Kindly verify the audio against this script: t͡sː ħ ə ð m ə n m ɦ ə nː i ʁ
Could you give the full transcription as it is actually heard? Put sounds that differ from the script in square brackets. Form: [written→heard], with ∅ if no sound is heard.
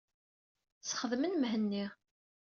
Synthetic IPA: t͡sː [ħ→χ] ə ð m ə n m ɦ ə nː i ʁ